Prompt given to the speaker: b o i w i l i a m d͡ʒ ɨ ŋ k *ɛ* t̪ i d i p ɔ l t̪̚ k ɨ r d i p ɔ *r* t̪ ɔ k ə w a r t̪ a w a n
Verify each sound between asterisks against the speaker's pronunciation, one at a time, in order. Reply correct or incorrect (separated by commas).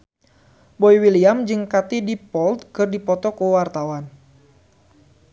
incorrect, incorrect